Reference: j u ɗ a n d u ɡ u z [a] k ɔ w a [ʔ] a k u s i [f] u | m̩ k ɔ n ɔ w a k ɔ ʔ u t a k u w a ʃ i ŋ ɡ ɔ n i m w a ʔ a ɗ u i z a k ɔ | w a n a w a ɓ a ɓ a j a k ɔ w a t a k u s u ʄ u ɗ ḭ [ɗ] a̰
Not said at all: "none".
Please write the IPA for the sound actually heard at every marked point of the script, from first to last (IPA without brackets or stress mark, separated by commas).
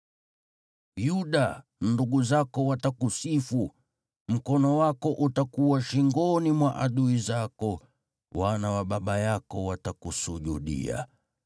a, t, f, none